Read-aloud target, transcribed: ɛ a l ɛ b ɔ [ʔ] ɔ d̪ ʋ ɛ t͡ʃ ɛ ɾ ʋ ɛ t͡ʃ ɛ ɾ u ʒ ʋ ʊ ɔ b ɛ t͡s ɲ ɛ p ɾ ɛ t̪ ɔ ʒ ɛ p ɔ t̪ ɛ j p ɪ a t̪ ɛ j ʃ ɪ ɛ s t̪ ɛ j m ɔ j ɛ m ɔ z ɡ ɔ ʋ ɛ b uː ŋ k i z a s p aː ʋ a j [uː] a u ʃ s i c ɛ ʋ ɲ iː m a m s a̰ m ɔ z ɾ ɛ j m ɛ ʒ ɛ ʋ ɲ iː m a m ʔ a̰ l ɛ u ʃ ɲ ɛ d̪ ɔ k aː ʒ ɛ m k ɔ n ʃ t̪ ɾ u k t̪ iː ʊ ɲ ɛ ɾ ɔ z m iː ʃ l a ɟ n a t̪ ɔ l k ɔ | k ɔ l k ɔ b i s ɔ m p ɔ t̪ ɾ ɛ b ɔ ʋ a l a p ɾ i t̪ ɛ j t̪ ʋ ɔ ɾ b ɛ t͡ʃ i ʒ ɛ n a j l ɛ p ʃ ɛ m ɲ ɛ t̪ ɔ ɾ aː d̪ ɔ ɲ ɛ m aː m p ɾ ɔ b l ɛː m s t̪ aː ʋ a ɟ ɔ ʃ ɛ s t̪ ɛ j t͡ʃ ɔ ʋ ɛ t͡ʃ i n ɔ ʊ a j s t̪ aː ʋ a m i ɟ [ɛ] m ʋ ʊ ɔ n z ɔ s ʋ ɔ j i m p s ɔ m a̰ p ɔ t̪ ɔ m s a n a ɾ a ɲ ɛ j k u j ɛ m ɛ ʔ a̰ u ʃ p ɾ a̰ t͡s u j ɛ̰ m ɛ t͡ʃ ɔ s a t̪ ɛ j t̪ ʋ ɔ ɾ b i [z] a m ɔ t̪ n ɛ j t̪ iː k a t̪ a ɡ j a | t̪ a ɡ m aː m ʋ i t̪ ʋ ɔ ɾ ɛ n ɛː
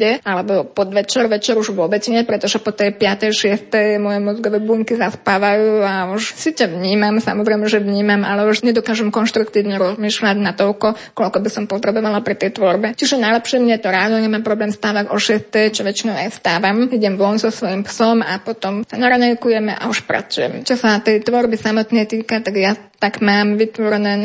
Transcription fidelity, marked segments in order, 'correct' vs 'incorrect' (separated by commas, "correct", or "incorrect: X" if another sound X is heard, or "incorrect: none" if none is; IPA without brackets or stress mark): incorrect: p, correct, correct, incorrect: s